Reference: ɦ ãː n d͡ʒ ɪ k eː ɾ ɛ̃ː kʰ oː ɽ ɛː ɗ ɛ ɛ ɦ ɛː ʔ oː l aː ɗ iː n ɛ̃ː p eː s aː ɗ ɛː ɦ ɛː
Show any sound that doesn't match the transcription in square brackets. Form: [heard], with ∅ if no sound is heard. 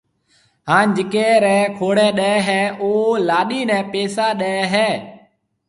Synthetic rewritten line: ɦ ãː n d͡ʒ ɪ k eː ɾ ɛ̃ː kʰ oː ɽ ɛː ɗ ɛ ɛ ɦ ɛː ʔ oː l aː ɗ iː n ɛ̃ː p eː s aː ɗ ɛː ɦ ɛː